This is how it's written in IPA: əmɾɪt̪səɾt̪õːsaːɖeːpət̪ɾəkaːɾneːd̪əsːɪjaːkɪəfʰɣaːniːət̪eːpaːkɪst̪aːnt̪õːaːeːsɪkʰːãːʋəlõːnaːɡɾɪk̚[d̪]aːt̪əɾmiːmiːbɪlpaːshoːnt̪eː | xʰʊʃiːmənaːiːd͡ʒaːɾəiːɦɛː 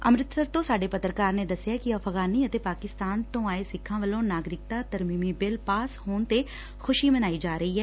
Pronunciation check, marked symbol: incorrect: t̪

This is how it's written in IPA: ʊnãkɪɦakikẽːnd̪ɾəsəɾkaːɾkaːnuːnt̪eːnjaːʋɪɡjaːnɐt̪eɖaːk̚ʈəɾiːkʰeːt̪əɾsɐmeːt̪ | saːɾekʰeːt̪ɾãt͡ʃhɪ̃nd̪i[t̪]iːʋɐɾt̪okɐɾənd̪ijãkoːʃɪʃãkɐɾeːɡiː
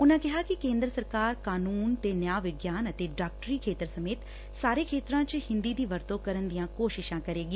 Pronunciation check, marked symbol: incorrect: d̪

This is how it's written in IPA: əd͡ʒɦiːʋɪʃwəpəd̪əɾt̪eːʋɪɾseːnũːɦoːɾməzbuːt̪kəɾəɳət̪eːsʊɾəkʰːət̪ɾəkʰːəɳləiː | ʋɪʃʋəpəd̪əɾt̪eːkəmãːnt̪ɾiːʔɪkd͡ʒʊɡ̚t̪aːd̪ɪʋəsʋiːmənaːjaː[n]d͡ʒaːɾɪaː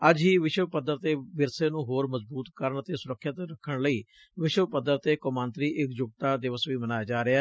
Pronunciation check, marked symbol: incorrect: none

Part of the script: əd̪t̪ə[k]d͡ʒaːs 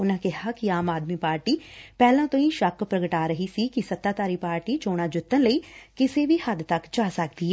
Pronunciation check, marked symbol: correct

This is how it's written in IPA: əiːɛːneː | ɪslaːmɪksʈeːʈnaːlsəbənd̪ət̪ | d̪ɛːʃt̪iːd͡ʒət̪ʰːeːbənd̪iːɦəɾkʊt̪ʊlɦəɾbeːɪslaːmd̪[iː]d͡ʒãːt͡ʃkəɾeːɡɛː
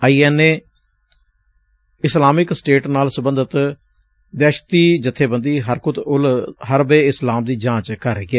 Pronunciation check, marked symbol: correct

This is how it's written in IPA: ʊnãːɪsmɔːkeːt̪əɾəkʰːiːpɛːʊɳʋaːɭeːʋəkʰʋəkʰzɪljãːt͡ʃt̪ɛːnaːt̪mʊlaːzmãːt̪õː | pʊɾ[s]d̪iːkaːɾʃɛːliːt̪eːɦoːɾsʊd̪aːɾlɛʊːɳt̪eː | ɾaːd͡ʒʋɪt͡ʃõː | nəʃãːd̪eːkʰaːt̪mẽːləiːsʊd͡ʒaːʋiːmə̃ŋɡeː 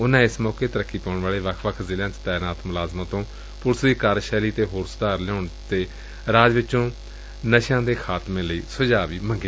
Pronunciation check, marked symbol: correct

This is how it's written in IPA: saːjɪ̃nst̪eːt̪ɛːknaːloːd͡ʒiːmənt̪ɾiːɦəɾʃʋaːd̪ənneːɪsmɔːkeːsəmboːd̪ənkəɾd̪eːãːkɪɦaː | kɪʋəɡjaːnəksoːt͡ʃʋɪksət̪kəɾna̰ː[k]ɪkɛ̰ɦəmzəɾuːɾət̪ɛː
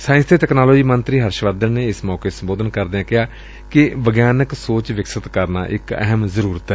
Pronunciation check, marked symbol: incorrect: ʔ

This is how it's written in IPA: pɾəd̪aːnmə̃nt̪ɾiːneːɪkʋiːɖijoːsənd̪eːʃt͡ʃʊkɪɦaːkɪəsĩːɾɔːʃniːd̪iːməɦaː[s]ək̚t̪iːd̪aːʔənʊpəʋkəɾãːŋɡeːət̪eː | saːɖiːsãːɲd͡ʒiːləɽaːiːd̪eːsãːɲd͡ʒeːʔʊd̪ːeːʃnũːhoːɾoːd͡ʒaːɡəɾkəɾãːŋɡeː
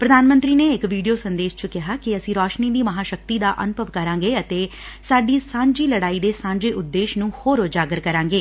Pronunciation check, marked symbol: incorrect: ʃ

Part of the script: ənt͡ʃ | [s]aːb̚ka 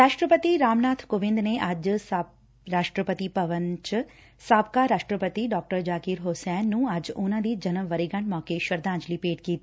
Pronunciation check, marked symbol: correct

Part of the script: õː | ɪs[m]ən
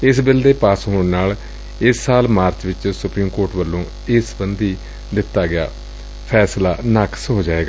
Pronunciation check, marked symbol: incorrect: b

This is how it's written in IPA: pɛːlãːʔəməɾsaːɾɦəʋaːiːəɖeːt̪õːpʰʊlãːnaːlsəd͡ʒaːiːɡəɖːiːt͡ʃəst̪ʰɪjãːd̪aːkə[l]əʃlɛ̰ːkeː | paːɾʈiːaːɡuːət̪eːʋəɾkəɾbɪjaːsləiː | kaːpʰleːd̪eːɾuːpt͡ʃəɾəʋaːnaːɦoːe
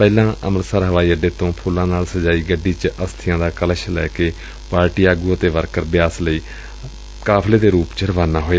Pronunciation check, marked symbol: correct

